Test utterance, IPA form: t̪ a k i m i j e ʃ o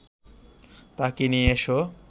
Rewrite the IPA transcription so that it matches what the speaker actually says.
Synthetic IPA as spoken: t̪ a k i n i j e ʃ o